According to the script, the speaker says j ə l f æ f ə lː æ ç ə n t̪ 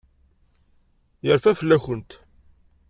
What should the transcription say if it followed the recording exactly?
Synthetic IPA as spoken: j ə ɾ f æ f ə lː æ ç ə n t̪